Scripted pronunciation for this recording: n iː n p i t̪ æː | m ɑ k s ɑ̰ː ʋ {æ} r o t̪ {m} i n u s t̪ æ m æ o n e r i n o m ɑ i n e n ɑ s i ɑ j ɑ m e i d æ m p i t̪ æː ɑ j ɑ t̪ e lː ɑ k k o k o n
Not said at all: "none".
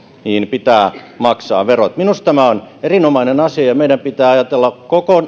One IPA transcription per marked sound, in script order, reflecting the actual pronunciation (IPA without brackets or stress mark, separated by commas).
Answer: e, m